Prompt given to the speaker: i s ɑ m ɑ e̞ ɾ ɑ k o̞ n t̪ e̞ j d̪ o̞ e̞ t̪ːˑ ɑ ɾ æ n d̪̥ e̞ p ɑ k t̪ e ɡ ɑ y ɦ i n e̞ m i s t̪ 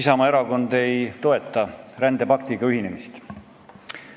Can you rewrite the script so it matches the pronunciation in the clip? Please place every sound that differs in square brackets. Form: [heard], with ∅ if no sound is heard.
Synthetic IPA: i s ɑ m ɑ e̞ ɾ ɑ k o̞ n [d̪] e̞ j [t̪] o̞ e̞ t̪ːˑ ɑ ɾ æ n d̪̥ e̞ p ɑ k t̪ [i] ɡ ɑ y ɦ i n e̞ m i s t̪